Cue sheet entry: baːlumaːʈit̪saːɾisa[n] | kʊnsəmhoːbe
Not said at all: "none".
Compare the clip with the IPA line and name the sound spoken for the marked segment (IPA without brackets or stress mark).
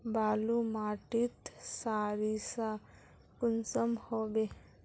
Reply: none